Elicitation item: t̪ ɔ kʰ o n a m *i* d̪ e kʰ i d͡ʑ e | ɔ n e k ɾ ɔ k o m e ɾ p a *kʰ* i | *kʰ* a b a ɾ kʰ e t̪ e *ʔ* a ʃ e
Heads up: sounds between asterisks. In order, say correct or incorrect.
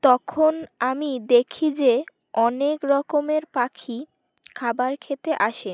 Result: correct, correct, correct, correct

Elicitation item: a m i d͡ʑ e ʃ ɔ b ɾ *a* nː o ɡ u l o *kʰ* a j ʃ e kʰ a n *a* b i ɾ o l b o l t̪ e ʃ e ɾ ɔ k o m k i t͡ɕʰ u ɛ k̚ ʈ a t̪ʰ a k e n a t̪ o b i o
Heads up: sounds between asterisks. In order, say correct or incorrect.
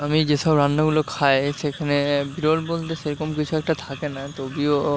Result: correct, correct, incorrect

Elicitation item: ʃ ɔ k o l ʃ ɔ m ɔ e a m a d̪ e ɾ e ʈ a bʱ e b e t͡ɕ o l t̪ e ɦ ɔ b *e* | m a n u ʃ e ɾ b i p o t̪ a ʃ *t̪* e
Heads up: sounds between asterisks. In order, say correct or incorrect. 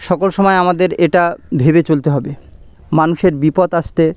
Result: correct, correct

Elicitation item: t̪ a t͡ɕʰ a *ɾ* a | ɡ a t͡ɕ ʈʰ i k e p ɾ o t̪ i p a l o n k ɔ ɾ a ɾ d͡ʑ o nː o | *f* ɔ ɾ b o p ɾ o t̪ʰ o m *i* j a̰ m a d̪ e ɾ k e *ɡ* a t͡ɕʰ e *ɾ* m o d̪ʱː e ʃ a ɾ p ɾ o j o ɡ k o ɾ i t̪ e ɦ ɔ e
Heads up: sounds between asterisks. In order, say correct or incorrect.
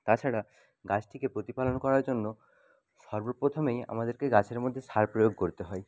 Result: incorrect, incorrect, incorrect, correct, correct

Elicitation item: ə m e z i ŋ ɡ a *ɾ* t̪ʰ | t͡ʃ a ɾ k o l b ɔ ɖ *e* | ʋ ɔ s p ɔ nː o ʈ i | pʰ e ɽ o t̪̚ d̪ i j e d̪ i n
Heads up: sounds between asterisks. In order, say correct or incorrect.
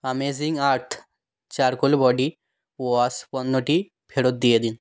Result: correct, incorrect

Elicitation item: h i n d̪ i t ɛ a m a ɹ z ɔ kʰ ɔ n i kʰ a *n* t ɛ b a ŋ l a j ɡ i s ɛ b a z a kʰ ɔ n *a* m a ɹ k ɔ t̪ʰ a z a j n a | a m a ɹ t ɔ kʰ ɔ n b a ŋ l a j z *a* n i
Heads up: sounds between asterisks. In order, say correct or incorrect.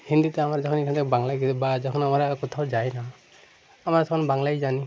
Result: correct, correct, correct

